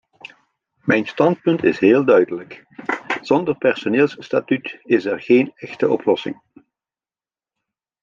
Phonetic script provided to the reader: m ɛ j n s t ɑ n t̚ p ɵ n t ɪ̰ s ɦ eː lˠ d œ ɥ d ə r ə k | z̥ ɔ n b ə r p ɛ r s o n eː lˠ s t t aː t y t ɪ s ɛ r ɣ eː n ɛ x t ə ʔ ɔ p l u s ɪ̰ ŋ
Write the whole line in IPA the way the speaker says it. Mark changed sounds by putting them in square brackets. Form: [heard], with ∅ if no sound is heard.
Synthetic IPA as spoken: m ɛ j n s t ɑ n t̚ p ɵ n t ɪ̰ s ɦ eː lˠ d œ ɥ d ə [l] ə k | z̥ ɔ n [d] ə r p ɛ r s o n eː lˠ s [s] t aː t y t ɪ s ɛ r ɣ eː n ɛ x t ə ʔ ɔ p l [ɔ] s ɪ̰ ŋ